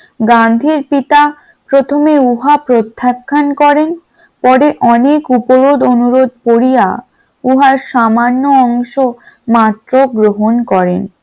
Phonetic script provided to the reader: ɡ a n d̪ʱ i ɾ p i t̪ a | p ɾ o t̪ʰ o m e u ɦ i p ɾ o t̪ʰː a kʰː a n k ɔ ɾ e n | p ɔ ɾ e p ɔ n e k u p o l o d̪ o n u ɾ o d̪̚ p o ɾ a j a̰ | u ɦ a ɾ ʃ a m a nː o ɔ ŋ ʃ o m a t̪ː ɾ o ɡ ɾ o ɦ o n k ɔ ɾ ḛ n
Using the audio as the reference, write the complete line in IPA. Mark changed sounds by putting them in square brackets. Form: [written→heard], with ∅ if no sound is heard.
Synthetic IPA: ɡ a n d̪ʱ i ɾ p i t̪ a | p ɾ o t̪ʰ o m e u ɦ [i→a] p ɾ o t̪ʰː a kʰː a n k ɔ ɾ e n | p ɔ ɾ e [p→ʔ] ɔ n e k u p o [l→ɾ] o d̪ o n u ɾ o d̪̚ p o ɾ [a→i] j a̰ | u ɦ a ɾ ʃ a m a nː o ɔ ŋ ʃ o m a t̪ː ɾ o ɡ ɾ o ɦ o n k ɔ ɾ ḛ n